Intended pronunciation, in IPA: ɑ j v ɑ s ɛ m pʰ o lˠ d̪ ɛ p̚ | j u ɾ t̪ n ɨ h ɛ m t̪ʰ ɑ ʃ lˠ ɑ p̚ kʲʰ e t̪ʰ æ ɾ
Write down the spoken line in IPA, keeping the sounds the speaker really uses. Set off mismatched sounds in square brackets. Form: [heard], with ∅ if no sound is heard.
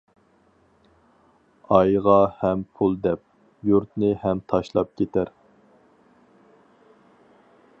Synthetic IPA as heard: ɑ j [ʁ] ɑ [h] ɛ m pʰ [u] lˠ d̪ ɛ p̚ | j u ɾ t̪ n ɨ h ɛ m t̪ʰ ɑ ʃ lˠ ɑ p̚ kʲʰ e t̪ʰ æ ɾ